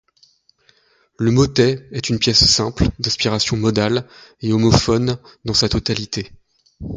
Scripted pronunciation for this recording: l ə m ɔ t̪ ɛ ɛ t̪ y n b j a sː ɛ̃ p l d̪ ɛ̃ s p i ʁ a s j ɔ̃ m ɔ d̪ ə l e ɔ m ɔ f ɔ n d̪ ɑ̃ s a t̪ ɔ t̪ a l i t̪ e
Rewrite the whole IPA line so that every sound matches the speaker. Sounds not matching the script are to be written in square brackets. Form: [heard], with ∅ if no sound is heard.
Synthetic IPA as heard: l ə m ɔ t̪ ɛ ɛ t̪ y n [p] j [ɛ] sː ɛ̃ p l d̪ ɛ̃ s p i ʁ a s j ɔ̃ m ɔ d̪ [a] l e ɔ m ɔ f ɔ n d̪ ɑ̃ s a t̪ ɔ t̪ a l i t̪ e